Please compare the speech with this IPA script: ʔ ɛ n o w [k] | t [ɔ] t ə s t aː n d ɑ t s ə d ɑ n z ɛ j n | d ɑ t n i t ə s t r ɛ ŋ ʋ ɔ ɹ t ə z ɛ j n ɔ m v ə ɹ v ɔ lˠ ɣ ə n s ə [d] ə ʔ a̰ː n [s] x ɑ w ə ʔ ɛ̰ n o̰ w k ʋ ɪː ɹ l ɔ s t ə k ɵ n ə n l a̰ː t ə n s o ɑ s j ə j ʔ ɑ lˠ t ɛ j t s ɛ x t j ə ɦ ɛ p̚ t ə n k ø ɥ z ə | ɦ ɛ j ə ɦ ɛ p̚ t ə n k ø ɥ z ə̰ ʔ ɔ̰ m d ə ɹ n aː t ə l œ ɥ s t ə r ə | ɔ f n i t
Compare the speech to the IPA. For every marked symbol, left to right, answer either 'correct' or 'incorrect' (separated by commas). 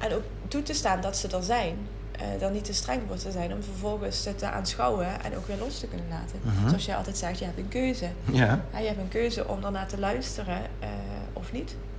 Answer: correct, incorrect, incorrect, correct